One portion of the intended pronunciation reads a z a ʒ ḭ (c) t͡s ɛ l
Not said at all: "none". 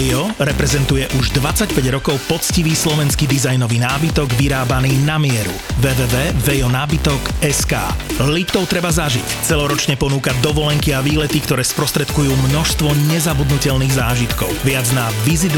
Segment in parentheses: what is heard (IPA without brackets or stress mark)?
c